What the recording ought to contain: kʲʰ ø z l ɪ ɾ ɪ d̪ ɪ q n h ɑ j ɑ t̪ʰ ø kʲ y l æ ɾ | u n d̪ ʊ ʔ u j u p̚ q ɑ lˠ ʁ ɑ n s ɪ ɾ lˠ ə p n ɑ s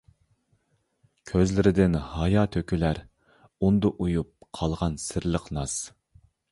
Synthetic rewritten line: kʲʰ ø z l ɪ ɾ ɪ d̪ ɪ n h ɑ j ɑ t̪ʰ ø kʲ y l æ ɾ | u n d̪ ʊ ʔ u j u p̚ qʰ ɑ lˠ ʁ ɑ n s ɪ ɾ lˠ ə q n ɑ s